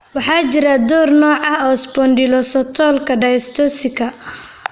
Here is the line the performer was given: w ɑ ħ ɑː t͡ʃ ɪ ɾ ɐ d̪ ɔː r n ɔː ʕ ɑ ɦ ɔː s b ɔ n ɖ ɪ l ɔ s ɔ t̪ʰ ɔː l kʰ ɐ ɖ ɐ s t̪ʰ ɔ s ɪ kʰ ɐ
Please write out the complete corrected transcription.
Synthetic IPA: w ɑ ħ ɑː t͡ʃ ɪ ɾ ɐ d̪ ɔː r n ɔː ʕ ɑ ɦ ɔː s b ɔ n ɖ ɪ l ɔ s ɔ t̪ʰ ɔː l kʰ ɐ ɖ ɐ s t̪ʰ ɔ s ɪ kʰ ɐ